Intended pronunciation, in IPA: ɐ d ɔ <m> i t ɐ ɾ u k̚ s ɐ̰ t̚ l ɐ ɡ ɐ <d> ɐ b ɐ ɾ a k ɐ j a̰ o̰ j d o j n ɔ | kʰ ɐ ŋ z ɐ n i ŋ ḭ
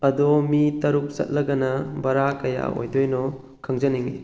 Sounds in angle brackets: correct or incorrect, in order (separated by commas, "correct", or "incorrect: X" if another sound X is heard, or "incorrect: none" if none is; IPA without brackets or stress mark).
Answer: correct, incorrect: n